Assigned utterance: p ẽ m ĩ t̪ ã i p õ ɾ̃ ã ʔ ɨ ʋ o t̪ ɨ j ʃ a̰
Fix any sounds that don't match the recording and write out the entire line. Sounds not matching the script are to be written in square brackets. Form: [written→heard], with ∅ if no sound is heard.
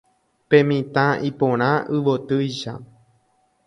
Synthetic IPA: p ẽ m ĩ t̪ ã i p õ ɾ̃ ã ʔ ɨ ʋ o t̪ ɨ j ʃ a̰